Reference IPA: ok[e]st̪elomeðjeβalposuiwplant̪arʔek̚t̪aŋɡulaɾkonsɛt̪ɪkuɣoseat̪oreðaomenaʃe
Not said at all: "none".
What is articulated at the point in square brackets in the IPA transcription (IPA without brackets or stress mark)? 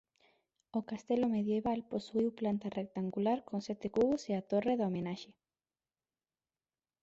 a